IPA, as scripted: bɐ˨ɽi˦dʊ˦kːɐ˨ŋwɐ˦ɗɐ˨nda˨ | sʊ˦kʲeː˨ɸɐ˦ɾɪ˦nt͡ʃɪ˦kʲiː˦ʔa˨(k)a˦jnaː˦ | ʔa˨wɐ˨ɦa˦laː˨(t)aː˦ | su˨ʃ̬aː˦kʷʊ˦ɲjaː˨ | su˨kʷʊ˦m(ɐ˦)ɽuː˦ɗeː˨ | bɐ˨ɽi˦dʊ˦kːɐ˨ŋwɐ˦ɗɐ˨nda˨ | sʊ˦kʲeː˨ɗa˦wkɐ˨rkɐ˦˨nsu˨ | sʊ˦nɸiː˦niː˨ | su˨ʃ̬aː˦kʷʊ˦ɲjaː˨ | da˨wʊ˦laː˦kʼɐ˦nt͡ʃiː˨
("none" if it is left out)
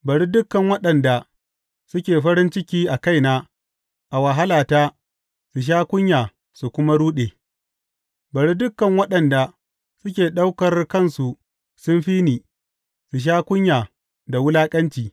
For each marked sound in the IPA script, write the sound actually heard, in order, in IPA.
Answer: k, t, a˦

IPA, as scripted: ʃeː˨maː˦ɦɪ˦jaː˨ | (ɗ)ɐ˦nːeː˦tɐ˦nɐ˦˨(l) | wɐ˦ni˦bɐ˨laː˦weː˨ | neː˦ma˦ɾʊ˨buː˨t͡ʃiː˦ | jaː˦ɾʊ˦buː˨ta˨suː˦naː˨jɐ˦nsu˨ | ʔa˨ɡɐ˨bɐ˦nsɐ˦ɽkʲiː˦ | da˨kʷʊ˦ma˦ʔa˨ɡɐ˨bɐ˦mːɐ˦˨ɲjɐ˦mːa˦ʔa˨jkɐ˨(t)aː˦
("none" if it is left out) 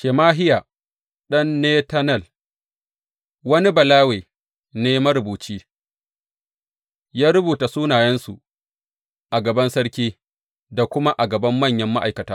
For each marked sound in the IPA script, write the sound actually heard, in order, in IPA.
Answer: ɗ, l, t

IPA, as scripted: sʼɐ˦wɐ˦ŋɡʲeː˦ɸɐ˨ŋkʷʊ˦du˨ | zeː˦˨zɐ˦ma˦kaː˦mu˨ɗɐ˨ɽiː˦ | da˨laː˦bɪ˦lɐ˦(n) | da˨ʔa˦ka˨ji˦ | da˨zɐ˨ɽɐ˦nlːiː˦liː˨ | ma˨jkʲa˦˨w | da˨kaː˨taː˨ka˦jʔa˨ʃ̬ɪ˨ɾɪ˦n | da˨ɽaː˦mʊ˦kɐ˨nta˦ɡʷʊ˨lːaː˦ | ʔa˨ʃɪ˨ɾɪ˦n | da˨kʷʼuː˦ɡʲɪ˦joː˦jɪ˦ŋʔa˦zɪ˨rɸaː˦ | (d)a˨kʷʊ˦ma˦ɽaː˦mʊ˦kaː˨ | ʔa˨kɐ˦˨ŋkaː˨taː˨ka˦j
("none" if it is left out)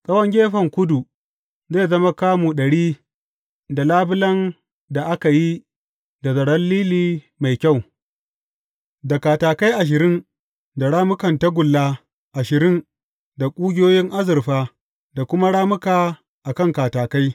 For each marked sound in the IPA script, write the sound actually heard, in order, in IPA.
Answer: n, d

